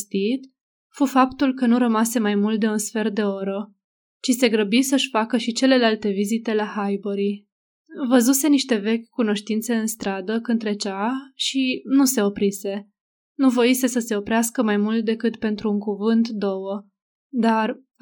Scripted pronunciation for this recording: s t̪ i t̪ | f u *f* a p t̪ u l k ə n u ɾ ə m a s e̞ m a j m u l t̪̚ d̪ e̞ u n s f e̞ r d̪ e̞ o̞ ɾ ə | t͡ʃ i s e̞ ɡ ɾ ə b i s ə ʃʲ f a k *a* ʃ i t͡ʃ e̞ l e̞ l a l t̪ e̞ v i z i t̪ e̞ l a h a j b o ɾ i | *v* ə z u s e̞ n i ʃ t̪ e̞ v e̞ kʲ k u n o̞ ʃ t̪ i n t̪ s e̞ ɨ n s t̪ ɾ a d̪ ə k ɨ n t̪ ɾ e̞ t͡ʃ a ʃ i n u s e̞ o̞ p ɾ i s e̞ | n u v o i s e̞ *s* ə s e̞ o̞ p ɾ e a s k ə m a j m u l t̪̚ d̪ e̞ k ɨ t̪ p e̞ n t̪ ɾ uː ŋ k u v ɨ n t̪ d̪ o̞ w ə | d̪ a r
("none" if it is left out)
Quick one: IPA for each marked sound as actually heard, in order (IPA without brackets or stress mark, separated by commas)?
f, ə, v, s